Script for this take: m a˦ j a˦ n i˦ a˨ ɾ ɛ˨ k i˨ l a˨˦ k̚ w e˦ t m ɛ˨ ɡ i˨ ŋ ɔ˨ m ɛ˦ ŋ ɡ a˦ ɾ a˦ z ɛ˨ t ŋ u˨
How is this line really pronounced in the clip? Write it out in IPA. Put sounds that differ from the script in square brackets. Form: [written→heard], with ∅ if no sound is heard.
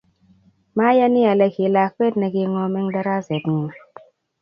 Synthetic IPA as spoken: m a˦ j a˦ n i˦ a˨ [ɾ→l] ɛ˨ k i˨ l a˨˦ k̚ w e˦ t [m→n] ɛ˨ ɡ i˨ ŋ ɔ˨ m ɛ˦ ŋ [ɡ→d] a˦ ɾ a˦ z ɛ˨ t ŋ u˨